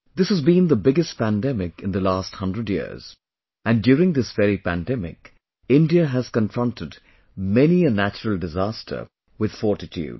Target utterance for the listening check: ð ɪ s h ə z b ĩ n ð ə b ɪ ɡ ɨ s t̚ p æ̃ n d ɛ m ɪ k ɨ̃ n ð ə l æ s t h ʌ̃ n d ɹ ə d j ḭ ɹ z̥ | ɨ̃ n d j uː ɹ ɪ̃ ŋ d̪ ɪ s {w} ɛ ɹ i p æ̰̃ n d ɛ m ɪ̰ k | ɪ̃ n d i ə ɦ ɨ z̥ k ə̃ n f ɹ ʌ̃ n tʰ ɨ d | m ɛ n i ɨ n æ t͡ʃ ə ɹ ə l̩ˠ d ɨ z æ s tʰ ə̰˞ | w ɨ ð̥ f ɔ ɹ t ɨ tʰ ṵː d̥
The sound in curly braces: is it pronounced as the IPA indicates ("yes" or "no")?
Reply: no